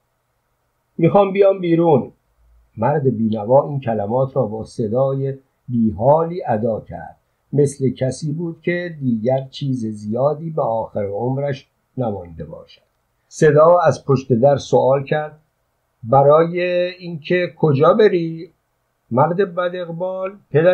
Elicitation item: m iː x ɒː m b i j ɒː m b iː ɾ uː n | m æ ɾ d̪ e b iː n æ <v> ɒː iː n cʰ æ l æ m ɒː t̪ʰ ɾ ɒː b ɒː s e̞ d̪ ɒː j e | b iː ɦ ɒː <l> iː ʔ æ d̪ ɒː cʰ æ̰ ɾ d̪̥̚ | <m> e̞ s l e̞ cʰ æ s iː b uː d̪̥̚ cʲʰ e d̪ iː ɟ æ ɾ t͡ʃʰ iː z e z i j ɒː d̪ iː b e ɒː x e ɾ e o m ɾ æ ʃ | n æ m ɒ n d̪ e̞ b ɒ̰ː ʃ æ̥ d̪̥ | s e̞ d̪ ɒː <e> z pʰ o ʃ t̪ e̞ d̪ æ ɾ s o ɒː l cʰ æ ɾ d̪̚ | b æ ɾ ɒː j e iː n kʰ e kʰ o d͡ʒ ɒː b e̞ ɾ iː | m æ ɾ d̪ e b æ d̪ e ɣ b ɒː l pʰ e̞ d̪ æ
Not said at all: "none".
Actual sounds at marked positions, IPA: v, l, m, æ

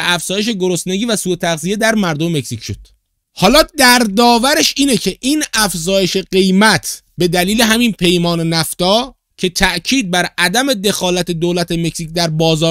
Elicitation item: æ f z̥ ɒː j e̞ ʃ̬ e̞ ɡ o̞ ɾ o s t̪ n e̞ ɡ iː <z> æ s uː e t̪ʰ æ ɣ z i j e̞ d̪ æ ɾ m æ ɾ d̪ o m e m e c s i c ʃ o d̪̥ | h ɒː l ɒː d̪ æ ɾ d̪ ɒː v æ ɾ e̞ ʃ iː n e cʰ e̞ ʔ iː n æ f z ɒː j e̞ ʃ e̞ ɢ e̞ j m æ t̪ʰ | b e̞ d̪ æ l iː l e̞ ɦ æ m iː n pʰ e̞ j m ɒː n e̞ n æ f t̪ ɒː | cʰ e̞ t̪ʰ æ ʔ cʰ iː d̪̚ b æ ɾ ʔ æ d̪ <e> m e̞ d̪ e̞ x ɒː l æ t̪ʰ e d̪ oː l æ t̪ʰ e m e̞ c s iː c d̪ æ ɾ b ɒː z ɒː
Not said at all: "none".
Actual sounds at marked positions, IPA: v, æ

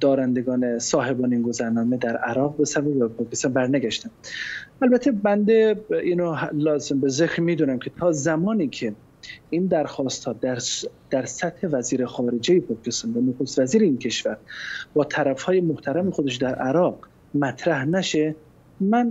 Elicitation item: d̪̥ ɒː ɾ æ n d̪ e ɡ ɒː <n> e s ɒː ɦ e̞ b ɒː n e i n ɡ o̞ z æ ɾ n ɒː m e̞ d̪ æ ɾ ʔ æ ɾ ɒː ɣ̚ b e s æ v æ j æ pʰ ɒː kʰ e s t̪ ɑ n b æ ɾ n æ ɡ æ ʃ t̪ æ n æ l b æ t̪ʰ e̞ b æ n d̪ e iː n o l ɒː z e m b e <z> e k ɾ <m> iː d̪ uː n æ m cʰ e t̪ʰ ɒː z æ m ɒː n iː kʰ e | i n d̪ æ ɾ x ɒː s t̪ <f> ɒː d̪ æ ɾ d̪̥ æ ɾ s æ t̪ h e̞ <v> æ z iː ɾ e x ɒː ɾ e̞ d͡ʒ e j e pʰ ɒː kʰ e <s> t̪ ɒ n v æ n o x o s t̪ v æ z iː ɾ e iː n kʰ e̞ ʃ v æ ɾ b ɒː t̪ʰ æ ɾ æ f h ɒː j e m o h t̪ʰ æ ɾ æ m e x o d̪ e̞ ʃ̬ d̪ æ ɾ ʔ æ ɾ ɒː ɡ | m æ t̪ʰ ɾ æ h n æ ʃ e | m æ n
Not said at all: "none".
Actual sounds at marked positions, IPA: n, z, m, h, v, s

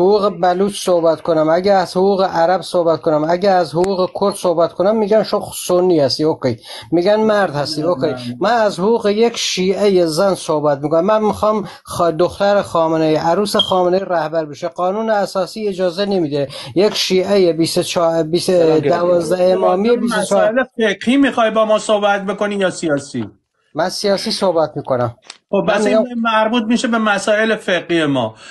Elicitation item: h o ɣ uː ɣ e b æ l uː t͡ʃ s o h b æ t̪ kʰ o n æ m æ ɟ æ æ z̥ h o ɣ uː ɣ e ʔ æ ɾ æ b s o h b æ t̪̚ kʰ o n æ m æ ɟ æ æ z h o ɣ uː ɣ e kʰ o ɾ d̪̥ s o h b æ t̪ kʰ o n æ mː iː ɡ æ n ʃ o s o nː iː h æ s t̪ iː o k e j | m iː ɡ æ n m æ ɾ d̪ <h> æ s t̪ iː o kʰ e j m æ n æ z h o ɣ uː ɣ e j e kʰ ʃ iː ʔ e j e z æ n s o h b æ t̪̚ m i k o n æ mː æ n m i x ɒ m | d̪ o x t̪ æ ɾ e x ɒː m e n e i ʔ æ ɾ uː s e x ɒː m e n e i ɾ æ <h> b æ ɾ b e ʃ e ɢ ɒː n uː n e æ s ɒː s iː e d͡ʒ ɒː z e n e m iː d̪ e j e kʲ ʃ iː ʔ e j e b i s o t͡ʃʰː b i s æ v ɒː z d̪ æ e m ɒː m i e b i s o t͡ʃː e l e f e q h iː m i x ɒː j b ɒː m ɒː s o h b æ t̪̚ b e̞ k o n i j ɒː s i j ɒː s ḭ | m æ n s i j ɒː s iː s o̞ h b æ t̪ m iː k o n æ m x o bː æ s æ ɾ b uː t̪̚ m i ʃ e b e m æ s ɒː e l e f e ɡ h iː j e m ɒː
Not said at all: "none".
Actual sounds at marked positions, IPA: h, h

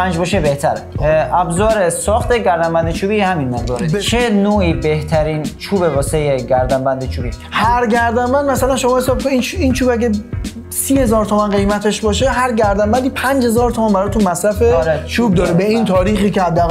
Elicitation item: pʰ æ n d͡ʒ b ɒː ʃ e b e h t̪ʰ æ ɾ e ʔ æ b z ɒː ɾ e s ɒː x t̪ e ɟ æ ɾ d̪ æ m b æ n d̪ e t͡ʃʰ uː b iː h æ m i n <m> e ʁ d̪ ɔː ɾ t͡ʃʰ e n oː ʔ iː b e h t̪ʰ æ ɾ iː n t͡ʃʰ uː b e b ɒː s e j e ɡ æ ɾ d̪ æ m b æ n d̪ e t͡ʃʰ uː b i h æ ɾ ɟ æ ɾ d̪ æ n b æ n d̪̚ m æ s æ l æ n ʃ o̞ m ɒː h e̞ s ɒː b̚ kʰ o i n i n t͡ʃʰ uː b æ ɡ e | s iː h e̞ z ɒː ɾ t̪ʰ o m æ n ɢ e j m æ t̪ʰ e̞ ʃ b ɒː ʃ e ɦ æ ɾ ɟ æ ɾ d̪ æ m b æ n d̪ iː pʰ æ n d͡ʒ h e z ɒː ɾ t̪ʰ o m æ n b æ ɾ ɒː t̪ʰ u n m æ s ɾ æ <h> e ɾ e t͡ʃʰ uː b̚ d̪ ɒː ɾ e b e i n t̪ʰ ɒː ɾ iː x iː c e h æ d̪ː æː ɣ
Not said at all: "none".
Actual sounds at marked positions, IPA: m, f

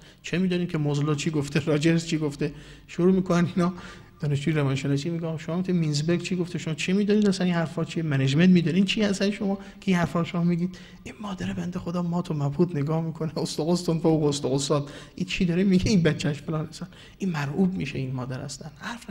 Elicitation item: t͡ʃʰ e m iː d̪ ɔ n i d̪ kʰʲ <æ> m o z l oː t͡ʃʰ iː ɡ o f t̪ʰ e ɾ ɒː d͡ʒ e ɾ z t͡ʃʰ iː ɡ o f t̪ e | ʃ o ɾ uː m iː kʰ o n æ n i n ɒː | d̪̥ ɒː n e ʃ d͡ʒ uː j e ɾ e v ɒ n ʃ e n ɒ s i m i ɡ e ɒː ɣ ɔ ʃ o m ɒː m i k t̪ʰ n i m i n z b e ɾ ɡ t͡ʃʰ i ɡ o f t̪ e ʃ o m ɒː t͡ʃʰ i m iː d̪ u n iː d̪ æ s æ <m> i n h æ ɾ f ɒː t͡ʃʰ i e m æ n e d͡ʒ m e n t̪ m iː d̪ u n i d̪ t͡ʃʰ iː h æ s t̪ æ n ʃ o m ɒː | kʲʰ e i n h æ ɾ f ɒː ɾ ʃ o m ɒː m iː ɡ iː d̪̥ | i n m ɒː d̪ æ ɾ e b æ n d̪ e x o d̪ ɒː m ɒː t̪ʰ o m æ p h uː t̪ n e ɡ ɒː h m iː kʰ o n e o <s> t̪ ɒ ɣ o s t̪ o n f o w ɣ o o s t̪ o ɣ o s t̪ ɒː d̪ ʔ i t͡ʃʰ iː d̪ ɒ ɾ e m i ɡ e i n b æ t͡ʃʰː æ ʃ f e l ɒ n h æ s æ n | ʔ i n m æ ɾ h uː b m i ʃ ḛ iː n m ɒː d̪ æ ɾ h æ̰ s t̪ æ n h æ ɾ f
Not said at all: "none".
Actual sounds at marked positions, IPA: e, n, s

